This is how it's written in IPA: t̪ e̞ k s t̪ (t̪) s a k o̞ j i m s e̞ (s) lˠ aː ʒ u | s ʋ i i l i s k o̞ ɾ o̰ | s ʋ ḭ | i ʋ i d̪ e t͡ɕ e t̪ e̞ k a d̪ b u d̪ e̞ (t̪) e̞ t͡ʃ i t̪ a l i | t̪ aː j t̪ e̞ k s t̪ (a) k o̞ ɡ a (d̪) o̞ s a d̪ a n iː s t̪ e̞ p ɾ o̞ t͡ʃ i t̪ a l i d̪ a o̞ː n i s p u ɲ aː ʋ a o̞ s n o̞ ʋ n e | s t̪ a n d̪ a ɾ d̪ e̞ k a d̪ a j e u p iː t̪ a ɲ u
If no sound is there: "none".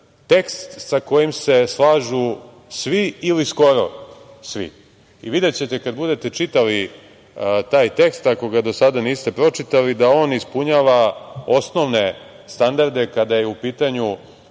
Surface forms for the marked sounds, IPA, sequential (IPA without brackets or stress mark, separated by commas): t̪, s, t̪, a, d̪